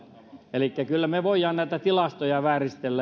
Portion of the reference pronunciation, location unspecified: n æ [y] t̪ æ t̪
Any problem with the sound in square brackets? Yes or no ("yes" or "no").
yes